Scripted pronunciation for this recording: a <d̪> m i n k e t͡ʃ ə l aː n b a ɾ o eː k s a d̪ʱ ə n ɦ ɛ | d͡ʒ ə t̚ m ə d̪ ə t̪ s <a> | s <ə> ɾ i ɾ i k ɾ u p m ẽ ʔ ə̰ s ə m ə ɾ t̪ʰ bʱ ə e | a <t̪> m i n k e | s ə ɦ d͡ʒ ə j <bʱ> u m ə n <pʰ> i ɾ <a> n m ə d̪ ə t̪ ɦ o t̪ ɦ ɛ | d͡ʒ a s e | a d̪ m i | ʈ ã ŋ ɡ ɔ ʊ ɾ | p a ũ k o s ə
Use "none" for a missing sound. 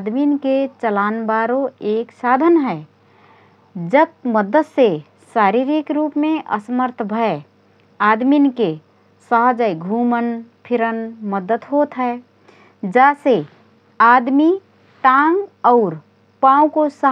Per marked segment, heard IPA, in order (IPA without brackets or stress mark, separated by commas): d̪, e, a, d̪, ɡʱ, pʰ, ə